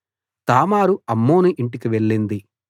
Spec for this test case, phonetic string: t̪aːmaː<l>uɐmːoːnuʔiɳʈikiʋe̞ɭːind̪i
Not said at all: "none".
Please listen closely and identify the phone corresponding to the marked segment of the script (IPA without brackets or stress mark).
ɾ